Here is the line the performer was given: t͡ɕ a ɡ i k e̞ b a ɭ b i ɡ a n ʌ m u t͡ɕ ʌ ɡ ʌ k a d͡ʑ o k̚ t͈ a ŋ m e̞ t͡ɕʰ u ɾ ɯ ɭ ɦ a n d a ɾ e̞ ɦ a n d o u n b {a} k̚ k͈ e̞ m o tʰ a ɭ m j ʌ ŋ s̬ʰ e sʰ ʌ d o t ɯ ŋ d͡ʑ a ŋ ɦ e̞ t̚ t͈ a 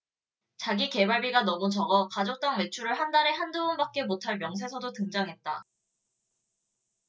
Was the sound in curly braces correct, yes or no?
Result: yes